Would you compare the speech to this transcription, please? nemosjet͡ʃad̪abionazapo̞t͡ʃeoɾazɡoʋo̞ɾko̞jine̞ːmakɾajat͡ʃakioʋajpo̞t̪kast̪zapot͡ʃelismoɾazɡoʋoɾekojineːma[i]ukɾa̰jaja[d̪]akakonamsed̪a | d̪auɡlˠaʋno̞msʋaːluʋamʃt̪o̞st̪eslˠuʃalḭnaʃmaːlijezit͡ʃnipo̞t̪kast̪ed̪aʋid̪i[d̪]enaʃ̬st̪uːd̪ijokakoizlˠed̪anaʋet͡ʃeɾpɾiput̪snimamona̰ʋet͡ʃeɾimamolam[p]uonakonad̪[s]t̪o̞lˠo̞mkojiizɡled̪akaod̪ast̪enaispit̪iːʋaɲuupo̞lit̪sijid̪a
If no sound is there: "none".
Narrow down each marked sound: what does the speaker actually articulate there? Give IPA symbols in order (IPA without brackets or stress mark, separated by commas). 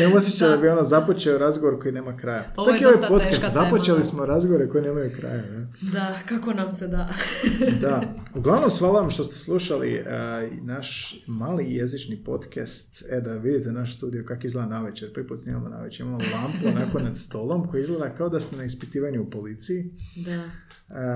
j, d̪, t̪, p, s